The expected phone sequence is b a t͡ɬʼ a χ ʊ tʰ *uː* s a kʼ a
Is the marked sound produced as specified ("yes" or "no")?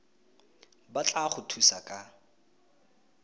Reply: no